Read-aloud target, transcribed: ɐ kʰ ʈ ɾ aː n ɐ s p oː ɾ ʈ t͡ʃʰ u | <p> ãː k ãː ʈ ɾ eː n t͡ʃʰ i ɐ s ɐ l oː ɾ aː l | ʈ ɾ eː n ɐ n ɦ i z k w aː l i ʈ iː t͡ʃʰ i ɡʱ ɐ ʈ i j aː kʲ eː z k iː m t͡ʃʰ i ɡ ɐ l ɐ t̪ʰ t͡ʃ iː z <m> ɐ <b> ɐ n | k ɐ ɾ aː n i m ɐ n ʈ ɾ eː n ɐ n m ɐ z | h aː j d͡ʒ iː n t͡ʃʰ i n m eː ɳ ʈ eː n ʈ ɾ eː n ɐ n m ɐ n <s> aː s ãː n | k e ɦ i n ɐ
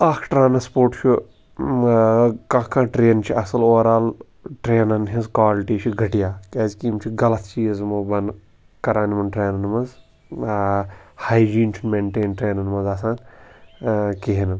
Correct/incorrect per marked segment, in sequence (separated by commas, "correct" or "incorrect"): incorrect, correct, correct, incorrect